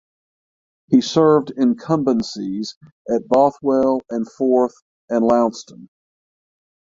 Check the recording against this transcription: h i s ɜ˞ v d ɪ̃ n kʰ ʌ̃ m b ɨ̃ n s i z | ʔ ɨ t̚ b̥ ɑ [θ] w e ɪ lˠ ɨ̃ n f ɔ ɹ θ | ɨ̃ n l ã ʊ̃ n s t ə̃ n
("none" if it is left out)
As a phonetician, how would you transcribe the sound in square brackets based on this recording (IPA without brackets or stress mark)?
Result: θ